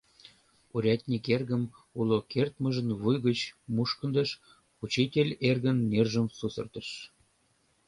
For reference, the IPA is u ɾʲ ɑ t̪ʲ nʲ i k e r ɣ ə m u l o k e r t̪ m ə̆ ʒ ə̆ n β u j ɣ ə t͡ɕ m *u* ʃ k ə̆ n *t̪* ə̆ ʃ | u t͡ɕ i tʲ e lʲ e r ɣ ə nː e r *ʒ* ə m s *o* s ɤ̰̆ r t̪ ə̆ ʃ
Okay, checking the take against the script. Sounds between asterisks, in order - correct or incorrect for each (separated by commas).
correct, incorrect, correct, incorrect